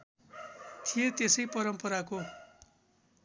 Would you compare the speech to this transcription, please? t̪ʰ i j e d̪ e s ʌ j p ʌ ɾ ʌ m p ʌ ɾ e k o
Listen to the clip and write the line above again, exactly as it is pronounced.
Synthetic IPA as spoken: t̪ʰ i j e t̪ e s ʌ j p ʌ ɾ ʌ m p ʌ ɾ a k o